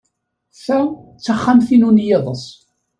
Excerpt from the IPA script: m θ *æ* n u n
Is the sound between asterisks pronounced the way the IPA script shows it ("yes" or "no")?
no